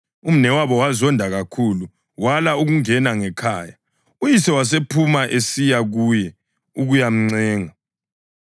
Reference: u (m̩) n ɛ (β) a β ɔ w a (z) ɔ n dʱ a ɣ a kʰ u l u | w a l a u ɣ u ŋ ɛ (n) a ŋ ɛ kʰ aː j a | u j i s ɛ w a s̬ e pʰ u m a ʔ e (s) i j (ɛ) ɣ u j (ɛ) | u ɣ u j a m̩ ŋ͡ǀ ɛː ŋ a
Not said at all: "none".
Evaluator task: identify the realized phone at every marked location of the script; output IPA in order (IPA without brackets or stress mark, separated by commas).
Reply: m̩, w, z, n, s, a, ɛ